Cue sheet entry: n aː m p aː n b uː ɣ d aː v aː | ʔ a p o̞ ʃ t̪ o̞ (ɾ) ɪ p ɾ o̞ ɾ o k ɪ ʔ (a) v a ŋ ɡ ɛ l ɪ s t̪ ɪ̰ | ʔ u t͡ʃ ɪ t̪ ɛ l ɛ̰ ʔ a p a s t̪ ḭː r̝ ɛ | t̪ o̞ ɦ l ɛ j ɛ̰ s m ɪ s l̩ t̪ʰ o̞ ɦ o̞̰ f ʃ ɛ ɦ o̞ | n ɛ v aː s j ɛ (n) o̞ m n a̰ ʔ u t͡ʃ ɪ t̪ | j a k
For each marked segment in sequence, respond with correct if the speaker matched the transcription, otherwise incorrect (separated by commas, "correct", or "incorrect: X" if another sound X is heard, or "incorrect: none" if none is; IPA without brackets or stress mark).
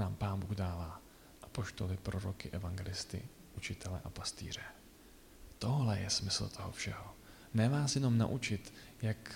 incorrect: l, incorrect: ɛ, correct